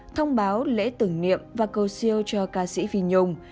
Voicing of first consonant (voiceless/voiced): voiceless